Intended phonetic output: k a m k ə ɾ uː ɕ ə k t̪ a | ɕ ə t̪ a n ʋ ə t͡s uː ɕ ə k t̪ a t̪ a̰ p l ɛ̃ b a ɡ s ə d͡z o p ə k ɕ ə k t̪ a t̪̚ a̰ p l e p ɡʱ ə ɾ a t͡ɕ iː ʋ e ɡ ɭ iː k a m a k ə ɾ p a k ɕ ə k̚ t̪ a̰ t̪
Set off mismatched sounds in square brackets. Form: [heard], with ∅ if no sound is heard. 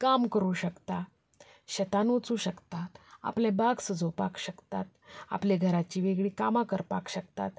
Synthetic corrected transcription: k a m k ə ɾ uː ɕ ə k t̪ a | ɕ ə t̪ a n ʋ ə t͡s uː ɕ ə k t̪ a t̪ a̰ p l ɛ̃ b a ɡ s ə d͡z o p [a] k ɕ ə k t̪ a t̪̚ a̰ p l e [∅] ɡʱ ə ɾ a t͡ɕ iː ʋ e ɡ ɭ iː k a m a k ə ɾ p a k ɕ ə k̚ t̪ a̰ t̪